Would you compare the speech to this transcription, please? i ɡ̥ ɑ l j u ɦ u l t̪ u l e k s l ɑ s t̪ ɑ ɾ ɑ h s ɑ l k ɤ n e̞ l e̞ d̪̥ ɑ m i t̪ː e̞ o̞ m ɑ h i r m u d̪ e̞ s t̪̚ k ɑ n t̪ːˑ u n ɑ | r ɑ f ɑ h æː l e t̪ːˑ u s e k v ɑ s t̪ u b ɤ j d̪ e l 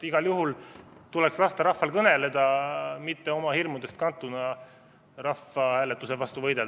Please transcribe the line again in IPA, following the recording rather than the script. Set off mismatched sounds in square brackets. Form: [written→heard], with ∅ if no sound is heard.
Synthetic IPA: i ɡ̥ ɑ l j u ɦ u l t̪ u l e k s l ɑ s t̪ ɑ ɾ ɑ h [s→f] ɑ l k ɤ n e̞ l e̞ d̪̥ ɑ m i t̪ː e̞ o̞ m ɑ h i r m u d̪ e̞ s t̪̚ k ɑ n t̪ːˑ u n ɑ | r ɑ f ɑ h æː l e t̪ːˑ u s e [k→∅] v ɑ s t̪ u [b→v] ɤ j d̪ e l

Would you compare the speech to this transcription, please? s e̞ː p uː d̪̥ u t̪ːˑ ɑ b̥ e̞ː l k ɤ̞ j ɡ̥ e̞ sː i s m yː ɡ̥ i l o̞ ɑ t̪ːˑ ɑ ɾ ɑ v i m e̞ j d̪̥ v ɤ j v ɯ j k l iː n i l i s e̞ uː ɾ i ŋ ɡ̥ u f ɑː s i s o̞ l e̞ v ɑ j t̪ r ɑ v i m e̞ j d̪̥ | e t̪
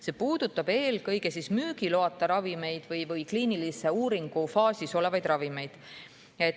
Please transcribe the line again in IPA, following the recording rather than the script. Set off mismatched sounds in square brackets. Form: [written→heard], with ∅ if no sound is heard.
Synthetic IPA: s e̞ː p uː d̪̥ u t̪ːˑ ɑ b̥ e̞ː l k ɤ̞ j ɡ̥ e̞ [sː→s] i s m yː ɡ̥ i l o̞ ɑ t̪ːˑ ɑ ɾ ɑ v i m e̞ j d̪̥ v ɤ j v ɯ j k l iː n i l i s e̞ uː ɾ i ŋ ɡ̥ u f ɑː s i s o̞ l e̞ v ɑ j [t̪→d̪] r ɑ v i m e̞ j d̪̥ | e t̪

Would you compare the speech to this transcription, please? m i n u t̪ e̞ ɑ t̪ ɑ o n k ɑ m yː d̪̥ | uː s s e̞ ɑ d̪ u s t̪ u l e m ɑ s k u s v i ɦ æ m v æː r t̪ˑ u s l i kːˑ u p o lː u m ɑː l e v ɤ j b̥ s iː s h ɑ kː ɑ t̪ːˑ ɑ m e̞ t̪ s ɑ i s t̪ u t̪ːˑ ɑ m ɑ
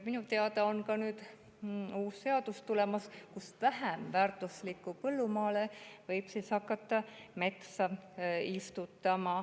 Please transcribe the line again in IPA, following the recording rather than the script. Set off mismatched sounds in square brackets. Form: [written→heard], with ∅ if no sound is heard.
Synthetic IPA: m i n u t̪ e̞ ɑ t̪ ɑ o n k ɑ [m→n] yː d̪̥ | uː s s e̞ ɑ d̪ u s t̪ u l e m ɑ s k u s v [i→æ] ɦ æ m v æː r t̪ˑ u s l i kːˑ u p [o→ɤ] lː u m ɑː l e v ɤ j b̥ s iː s h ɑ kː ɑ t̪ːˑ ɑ m e̞ t̪ s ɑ i s t̪ u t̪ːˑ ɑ m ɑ

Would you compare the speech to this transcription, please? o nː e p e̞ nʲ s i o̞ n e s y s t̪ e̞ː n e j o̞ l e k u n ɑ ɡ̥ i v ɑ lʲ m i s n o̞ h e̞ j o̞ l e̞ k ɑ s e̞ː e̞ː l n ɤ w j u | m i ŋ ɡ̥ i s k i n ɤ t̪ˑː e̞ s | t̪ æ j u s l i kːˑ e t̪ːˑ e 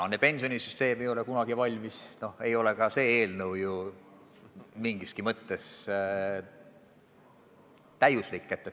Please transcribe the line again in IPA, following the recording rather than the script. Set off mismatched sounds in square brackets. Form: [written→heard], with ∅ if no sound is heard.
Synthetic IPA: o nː e p e̞ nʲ s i o̞ n [e→i] s y s t̪ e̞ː [n→m] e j o̞ l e k u n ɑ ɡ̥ i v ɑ lʲ m i s n o̞ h e̞ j o̞ l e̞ k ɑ s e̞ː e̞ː l n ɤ w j u | m i ŋ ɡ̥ i s k i [n→m] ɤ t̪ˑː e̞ s | t̪ æ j u s l i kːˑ e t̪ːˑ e

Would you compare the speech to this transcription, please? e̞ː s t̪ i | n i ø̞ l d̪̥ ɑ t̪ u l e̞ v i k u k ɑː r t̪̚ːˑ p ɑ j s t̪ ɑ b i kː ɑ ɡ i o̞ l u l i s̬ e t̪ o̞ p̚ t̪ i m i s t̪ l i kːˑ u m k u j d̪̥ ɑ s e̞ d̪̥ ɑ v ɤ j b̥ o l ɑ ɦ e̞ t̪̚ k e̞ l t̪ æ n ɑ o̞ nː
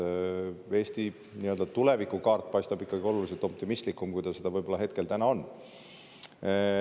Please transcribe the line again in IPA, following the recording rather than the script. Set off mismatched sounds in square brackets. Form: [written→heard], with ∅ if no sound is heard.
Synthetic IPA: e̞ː s t̪ i | n i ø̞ l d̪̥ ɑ t̪ u l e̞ v i k u k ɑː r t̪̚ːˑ p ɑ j s t̪ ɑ b i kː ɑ ɡ i o̞ l u l i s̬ e t̪ o̞ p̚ t̪ i m i s t̪ l i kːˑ u m k u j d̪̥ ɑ s e̞ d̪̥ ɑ v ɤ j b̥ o l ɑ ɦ e̞ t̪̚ k e̞ l t̪ æ n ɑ o̞ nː

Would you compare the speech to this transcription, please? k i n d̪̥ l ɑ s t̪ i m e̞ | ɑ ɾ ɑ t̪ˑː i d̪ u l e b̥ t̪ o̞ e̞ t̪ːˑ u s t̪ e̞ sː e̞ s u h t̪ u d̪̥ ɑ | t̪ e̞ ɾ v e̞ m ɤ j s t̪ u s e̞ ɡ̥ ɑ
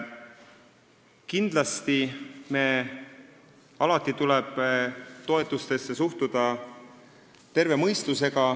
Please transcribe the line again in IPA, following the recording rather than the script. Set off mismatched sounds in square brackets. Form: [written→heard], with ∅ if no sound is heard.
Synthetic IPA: k i n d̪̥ l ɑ s t̪ i m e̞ | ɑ [ɾ→l] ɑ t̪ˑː i [d̪→t̪] u l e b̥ t̪ o̞ e̞ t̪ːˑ u s t̪ e̞ sː e̞ s u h t̪ u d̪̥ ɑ | t̪ e̞ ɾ v e̞ m ɤ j s t̪ u s e̞ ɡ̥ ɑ

